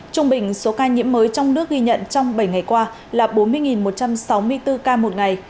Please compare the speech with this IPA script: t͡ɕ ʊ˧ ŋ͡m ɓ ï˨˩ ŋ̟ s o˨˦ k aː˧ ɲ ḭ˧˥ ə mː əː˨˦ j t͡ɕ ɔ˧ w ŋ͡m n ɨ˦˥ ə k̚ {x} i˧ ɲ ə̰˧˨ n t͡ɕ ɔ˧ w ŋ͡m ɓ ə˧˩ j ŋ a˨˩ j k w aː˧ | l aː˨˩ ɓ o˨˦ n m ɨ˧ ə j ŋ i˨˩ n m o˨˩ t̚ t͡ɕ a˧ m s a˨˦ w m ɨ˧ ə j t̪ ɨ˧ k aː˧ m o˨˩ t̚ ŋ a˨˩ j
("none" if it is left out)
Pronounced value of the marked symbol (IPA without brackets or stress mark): ɣ